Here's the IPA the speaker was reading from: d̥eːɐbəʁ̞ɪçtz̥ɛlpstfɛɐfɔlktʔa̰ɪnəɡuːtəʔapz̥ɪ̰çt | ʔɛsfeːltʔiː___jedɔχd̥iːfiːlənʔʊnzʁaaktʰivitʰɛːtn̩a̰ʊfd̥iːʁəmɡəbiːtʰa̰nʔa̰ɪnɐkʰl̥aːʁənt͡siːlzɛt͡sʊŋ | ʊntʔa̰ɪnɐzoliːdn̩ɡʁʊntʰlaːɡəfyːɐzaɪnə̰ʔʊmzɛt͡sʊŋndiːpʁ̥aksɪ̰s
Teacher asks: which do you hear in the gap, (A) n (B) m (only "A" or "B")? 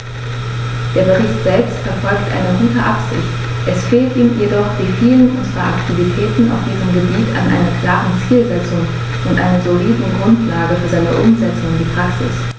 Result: B